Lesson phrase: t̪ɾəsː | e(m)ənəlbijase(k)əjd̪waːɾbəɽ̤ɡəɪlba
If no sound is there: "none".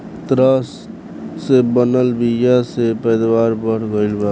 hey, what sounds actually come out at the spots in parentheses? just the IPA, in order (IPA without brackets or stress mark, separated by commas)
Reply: b, p